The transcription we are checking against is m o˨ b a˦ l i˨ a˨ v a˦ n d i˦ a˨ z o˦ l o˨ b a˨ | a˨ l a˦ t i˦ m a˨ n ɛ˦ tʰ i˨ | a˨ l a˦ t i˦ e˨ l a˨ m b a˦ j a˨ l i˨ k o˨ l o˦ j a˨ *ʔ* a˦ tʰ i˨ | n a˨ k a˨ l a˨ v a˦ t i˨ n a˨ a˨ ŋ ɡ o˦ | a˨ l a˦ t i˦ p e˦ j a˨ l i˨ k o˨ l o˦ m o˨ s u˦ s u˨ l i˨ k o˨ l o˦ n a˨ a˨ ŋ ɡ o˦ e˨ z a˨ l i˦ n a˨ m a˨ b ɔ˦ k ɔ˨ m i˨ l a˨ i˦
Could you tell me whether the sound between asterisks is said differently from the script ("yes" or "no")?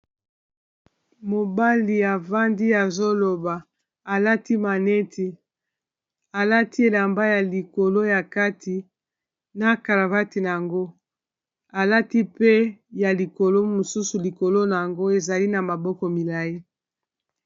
yes